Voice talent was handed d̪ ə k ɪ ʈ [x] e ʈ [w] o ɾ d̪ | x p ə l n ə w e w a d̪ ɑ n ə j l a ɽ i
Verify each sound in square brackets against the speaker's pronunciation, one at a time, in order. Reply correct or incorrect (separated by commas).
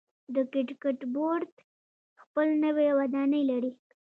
incorrect, incorrect